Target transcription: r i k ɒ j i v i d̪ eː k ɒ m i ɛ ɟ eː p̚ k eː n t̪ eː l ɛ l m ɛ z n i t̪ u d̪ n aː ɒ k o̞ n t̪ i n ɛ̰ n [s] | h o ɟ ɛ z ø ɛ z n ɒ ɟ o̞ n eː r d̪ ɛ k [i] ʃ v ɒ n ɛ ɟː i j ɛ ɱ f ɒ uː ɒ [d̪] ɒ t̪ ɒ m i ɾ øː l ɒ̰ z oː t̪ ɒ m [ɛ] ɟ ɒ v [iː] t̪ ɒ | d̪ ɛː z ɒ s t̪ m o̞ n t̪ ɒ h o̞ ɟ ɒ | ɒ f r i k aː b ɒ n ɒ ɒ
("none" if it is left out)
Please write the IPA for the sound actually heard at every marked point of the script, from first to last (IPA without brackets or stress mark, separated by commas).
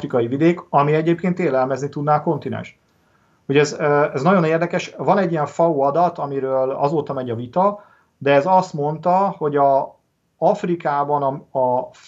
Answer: ʃ, ɛ, d̪, ɛ, i